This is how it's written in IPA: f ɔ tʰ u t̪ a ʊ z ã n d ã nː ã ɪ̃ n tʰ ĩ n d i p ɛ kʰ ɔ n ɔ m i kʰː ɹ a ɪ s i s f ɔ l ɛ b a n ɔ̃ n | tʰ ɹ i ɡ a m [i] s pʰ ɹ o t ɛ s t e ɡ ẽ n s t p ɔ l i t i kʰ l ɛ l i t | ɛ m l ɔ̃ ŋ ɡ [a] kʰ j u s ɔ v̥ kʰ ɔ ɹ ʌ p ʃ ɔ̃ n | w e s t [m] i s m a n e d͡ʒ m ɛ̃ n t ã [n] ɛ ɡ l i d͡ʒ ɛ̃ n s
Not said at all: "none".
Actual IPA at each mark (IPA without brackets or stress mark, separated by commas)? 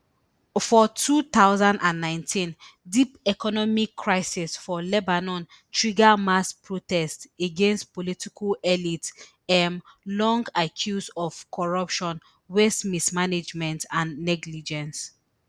a, a, m, nː